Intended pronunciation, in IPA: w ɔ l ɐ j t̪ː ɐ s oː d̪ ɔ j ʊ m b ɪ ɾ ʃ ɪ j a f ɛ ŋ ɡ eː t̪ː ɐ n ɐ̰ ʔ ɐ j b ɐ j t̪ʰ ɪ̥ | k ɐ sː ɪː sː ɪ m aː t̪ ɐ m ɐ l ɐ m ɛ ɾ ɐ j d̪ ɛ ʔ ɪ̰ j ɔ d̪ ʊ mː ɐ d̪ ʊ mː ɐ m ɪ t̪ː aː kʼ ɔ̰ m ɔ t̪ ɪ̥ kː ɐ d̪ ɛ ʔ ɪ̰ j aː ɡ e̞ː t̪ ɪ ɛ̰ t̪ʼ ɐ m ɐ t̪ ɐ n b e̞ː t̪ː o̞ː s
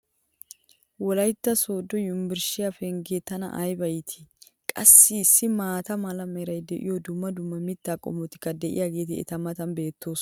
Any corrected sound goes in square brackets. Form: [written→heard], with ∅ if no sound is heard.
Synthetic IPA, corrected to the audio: w ɔ l ɐ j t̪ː ɐ s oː d̪ ɔ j ʊ m b ɪ ɾ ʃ ɪ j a f ɛ ŋ ɡ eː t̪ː ɐ n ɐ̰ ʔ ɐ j b ɐ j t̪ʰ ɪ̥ | [k→kʼ] ɐ sː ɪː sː ɪ m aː t̪ ɐ m ɐ l ɐ m ɛ ɾ ɐ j d̪ ɛ ʔ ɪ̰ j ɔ d̪ ʊ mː ɐ d̪ ʊ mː ɐ m ɪ t̪ː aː kʼ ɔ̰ m ɔ t̪ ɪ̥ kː ɐ d̪ ɛ ʔ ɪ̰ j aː ɡ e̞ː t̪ ɪ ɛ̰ [t̪ʼ→t̪] ɐ m ɐ t̪ ɐ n b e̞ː t̪ː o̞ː s